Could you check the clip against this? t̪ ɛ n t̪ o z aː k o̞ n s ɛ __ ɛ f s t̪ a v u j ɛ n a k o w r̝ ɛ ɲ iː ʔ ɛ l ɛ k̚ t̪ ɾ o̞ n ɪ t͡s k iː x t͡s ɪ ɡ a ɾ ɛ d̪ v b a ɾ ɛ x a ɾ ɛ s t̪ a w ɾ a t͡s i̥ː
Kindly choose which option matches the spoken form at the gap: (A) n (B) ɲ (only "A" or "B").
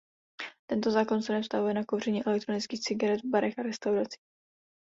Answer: A